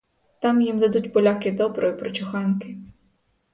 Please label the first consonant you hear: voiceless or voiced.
voiceless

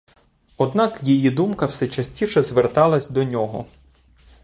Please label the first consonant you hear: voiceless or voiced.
voiced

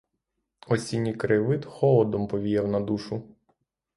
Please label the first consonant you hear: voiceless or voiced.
voiceless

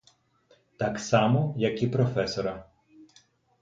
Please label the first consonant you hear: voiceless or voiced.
voiceless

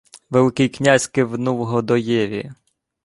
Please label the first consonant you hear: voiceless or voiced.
voiced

